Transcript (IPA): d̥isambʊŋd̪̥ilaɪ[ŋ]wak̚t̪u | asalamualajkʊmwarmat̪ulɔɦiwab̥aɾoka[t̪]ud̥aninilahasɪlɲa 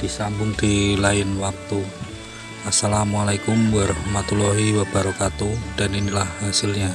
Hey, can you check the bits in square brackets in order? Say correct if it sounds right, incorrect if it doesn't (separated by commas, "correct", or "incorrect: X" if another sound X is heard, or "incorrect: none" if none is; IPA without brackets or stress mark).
incorrect: n, correct